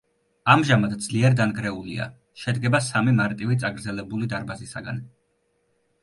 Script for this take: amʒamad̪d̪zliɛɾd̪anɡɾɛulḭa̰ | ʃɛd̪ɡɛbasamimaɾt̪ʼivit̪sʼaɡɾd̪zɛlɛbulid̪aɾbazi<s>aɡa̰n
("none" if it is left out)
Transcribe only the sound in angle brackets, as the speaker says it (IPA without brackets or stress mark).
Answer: s